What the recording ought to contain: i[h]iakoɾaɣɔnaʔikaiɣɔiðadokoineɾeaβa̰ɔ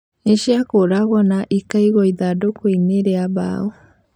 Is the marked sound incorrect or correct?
incorrect: ʃ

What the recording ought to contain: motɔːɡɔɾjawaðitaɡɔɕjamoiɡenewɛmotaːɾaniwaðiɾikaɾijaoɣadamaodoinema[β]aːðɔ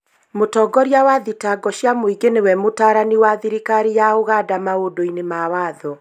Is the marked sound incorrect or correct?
incorrect: w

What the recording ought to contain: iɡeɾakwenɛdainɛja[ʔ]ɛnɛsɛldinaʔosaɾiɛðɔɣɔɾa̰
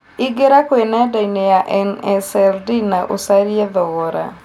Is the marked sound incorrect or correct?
correct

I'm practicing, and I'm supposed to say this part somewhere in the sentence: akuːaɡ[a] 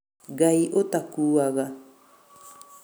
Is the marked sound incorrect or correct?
correct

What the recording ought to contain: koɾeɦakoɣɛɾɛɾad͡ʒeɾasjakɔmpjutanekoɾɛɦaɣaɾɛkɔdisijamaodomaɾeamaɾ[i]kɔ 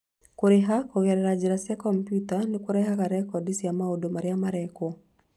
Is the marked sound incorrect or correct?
incorrect: ɛ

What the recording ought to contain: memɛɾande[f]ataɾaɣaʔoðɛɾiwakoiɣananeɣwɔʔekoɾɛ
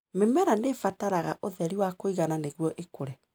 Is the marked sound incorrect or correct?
correct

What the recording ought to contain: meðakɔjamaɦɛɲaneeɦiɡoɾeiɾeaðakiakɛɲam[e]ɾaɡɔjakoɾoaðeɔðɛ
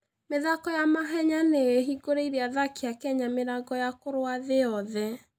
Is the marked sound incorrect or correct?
correct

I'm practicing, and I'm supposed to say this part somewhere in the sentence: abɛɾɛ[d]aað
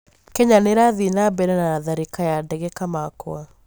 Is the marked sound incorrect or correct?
incorrect: n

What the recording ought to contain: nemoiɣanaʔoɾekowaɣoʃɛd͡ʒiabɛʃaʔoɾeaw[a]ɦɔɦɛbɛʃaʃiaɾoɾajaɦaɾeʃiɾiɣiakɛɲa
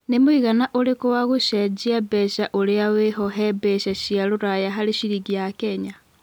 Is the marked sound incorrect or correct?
incorrect: e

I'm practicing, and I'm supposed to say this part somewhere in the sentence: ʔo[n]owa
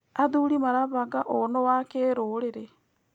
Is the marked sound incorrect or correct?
correct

